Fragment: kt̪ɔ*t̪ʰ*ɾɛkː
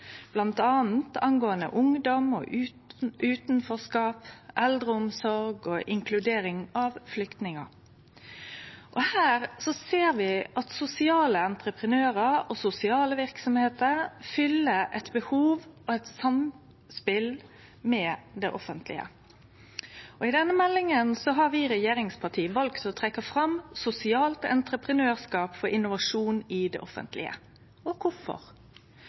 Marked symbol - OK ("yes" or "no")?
yes